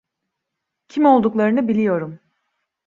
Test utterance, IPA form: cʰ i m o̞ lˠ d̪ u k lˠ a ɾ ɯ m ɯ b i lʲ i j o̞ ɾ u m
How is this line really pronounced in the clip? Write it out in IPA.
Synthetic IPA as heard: cʰ i m o̞ lˠ d̪ u k lˠ a ɾ ɯ n ɯ b i lʲ i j o̞ ɾ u m